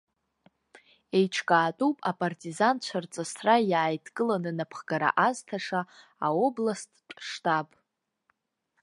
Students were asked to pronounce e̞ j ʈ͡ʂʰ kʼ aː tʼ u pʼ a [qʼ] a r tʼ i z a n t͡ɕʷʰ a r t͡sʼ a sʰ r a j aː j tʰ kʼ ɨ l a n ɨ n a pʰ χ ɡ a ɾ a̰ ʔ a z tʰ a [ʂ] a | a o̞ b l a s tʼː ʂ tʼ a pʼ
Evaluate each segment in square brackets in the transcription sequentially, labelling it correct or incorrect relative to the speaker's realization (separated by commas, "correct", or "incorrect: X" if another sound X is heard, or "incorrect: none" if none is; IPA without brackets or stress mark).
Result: incorrect: pʼ, correct